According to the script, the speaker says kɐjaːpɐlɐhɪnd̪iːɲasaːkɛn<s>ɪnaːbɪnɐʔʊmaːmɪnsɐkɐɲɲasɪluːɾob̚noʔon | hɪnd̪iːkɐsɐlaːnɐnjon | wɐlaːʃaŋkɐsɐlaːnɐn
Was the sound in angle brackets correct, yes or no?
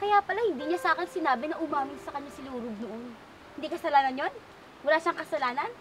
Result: yes